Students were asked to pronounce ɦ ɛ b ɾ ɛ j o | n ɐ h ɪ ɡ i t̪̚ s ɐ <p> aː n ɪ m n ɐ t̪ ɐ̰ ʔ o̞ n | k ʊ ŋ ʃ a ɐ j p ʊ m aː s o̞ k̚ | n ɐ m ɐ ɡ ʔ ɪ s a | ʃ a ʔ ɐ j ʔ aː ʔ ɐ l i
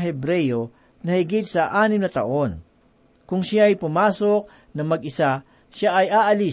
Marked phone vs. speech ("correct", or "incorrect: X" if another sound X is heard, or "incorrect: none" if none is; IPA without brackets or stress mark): incorrect: ʔ